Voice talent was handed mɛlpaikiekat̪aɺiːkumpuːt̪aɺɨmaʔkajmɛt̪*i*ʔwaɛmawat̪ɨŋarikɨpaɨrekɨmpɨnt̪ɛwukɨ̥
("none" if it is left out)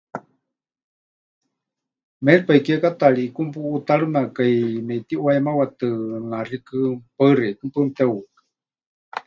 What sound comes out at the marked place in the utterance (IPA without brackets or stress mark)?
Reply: i